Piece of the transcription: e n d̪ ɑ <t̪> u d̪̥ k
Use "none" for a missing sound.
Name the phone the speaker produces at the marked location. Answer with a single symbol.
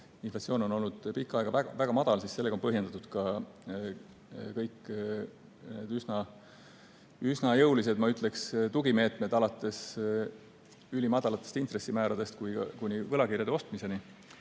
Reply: t̪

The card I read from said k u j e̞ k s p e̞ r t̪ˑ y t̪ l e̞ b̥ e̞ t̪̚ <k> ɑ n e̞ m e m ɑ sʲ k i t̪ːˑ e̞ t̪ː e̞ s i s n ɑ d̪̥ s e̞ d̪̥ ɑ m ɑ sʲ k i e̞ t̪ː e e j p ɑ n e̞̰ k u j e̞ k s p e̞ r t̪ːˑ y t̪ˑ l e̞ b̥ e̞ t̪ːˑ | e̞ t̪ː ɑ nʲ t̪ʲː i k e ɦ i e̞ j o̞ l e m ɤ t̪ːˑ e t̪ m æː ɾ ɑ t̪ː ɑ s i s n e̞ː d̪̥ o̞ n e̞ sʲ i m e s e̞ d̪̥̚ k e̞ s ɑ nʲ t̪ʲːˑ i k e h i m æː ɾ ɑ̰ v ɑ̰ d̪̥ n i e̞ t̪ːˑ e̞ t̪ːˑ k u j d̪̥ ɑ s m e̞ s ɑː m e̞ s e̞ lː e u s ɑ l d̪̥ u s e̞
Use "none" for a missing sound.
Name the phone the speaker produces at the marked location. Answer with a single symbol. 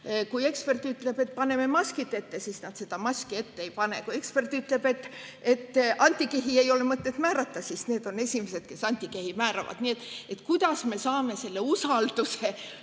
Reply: p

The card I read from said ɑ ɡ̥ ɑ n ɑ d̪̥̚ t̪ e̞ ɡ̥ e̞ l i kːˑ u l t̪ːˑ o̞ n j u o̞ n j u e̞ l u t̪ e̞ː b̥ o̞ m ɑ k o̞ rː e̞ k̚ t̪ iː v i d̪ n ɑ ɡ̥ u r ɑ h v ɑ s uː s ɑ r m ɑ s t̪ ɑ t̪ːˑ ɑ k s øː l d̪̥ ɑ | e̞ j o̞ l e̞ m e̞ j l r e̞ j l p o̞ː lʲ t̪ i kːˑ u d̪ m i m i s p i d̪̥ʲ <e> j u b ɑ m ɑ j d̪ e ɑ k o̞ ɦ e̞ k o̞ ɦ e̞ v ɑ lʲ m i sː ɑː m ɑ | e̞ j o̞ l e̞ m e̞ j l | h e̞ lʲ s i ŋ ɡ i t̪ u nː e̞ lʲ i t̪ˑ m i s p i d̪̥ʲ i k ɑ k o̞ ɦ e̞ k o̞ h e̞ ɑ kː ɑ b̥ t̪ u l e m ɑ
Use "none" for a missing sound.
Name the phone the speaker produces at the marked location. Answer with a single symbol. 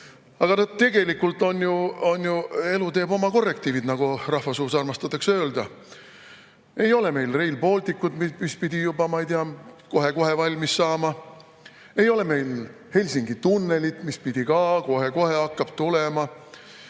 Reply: i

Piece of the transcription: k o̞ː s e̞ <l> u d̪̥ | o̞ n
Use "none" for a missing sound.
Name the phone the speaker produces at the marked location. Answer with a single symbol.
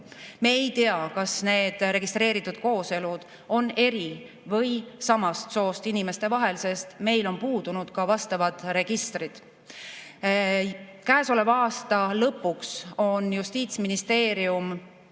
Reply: l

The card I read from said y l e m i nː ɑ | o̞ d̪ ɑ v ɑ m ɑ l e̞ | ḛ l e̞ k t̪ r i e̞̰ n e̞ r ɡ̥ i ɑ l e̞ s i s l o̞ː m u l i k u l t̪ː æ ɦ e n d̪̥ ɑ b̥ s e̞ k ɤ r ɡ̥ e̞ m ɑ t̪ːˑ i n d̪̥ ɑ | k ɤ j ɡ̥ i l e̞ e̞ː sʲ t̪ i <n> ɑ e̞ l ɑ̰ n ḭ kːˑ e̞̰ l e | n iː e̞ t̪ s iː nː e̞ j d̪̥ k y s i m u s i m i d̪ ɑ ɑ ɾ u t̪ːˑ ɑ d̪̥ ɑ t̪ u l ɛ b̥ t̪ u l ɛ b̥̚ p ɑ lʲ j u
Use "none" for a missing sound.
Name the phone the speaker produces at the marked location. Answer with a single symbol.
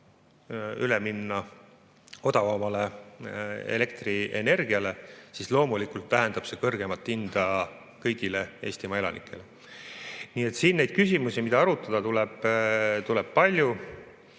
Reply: m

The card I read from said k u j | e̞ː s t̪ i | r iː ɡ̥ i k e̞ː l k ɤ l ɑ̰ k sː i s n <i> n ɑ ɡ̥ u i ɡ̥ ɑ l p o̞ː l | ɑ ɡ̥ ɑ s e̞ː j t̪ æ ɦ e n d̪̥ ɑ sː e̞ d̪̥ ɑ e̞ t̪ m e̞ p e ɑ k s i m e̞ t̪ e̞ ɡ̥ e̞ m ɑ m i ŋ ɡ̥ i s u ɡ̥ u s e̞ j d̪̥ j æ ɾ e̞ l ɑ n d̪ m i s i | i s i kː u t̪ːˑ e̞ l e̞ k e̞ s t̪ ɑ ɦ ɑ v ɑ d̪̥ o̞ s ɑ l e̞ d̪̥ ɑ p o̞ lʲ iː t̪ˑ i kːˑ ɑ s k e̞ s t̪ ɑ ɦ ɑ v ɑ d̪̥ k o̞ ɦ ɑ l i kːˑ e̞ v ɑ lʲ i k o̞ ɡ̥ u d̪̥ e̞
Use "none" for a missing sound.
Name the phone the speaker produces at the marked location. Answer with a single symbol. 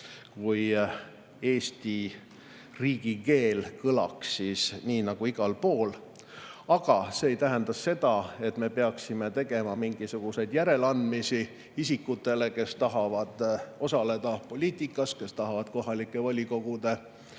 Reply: iː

